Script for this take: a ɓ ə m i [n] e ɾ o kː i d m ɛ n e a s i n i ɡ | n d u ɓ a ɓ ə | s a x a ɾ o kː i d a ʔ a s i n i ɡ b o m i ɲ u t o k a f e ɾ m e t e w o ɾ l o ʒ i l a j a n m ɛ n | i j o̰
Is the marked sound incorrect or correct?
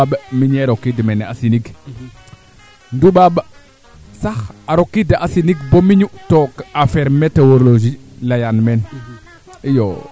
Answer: incorrect